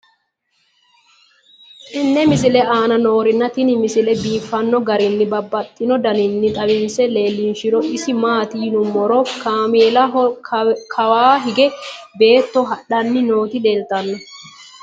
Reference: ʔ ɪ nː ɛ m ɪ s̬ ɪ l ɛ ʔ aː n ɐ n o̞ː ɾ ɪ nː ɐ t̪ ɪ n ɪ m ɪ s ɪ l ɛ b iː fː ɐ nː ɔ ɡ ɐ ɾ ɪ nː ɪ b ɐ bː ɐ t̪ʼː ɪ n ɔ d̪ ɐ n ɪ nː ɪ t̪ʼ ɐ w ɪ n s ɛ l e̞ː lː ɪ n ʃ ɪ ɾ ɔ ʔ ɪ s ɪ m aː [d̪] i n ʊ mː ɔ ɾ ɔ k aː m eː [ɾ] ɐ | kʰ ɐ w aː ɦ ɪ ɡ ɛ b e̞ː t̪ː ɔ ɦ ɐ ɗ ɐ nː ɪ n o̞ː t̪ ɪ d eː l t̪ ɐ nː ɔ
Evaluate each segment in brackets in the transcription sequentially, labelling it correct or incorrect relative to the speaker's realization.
incorrect, incorrect

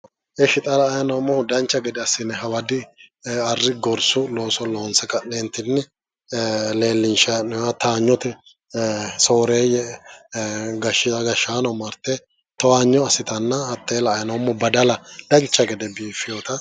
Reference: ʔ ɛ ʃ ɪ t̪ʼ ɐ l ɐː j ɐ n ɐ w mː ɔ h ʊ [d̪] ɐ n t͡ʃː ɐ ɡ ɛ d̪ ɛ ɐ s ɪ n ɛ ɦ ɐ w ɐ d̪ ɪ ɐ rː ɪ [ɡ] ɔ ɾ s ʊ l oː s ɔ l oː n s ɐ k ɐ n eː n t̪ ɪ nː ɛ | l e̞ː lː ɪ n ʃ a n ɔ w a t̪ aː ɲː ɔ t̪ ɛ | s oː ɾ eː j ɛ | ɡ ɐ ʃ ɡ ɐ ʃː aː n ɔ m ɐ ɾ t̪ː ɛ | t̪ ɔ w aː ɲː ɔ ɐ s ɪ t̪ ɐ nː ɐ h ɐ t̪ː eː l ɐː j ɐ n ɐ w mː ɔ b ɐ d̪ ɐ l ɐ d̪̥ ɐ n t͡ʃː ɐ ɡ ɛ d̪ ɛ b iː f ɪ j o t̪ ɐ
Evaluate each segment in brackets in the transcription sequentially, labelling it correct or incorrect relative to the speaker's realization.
correct, correct

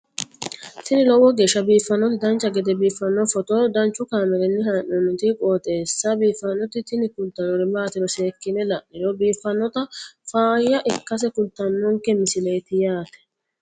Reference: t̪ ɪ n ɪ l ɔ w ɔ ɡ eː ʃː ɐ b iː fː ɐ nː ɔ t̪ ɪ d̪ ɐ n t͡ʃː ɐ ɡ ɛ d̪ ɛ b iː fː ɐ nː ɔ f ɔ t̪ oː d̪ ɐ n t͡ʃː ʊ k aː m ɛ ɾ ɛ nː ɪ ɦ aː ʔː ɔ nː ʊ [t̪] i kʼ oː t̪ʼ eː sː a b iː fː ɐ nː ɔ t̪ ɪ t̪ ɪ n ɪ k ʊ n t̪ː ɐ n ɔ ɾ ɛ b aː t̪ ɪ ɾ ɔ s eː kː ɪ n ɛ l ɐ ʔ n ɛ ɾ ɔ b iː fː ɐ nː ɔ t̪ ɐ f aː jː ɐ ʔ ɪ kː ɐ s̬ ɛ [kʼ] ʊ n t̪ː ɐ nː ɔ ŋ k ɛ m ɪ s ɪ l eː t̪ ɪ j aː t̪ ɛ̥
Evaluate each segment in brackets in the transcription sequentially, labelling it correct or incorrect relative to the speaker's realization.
correct, incorrect

